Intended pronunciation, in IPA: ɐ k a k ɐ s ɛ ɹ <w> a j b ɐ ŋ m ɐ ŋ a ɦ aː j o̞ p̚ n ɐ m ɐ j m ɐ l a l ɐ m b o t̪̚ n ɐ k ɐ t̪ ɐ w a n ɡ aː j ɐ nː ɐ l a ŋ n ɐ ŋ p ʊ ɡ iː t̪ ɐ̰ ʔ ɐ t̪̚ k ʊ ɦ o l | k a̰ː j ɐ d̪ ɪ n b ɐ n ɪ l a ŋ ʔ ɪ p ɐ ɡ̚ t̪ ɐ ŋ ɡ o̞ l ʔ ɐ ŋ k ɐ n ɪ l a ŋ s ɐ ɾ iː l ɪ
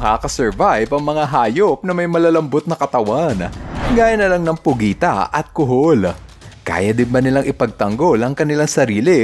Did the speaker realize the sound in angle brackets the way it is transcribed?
no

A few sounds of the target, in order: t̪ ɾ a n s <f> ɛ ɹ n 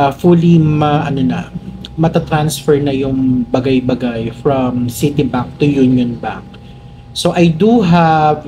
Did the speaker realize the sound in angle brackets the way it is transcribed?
yes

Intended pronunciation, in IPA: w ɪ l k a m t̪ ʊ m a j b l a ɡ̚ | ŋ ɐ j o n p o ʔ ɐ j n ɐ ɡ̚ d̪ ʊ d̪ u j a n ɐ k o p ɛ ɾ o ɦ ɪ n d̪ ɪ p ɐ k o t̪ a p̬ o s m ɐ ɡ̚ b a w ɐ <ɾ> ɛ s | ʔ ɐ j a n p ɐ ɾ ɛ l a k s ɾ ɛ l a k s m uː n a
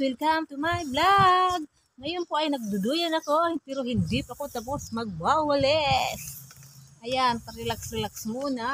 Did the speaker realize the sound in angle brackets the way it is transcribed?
no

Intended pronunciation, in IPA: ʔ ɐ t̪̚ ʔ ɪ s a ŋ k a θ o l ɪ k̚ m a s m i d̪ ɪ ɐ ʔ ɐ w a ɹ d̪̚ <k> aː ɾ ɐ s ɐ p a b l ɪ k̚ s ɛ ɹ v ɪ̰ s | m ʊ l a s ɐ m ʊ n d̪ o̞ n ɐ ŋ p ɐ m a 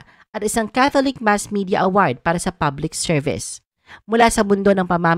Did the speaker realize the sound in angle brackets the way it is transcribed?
no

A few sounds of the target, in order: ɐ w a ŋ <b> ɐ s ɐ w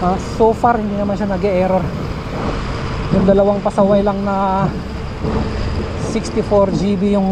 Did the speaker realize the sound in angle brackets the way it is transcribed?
no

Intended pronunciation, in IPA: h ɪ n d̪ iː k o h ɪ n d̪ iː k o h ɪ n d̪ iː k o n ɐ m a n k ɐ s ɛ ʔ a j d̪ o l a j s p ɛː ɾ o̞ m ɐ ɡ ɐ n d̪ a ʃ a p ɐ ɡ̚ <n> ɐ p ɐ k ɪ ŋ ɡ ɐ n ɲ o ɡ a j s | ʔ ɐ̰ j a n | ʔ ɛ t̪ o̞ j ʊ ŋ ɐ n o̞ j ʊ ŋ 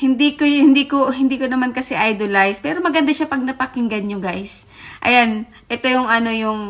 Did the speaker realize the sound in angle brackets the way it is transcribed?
yes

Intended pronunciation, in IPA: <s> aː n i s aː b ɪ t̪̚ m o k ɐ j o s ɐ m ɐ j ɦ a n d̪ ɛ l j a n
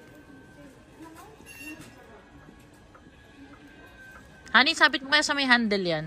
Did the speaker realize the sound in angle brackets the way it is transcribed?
no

